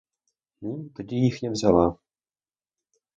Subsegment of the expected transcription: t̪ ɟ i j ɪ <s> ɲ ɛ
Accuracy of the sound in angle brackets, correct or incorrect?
incorrect